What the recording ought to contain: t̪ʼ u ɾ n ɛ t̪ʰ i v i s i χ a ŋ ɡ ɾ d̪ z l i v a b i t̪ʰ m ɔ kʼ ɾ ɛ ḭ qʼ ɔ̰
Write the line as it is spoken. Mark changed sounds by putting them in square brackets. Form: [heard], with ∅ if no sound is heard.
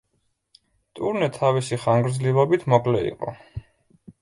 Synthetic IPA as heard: t̪ʼ u ɾ n ɛ t̪ʰ [a] v i s i χ a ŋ ɡ ɾ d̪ z l i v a b i t̪ʰ m ɔ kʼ [l] ɛ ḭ qʼ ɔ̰